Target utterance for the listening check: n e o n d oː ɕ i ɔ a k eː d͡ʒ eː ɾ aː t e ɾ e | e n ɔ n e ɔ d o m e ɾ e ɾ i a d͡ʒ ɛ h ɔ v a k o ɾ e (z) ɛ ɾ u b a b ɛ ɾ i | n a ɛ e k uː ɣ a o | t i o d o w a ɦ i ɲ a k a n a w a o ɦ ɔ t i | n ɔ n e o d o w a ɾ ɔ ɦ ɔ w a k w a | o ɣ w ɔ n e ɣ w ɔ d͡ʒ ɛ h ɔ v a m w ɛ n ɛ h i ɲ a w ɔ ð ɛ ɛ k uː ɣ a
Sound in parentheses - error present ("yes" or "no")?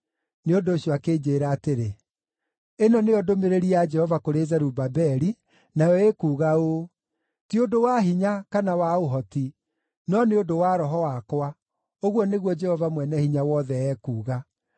no